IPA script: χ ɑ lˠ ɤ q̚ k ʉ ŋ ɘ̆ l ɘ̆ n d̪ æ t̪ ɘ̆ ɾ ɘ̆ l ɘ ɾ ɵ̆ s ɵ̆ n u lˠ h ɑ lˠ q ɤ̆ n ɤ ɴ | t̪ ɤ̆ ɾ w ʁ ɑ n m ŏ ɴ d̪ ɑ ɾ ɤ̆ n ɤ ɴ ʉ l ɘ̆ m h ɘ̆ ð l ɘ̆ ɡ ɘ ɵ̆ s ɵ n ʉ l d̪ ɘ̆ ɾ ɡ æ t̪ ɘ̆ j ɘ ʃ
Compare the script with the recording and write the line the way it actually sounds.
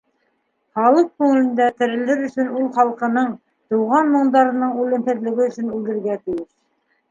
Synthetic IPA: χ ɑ lˠ ɤ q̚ k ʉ ŋ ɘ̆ l ɘ̆ n d̪ æ t̪ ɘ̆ ɾ ɘ̆ l ɘ ɾ ɵ̆ s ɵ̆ n u lˠ χ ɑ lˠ q ɤ̆ n ɤ ɴ | t̪ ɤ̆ w ʁ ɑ n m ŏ ɴ d̪ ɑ ɾ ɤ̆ n ɤ ɴ ʉ l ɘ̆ m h ɘ̆ ð l ɘ̆ ɡ ɘ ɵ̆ s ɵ n ʉ l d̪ ɘ̆ ɾ ɡ æ t̪ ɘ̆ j ɘ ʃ